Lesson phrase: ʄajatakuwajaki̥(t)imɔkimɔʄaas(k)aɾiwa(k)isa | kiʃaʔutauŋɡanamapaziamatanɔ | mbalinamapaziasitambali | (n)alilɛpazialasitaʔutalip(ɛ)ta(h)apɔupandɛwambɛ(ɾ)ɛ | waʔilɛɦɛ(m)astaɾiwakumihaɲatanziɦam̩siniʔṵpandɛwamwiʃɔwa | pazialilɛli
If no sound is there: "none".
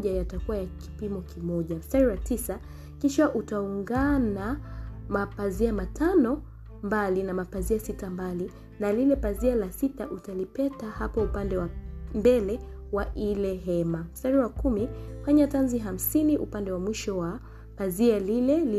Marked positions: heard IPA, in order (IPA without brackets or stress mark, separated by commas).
p, t, t, n, ɛ, h, l, m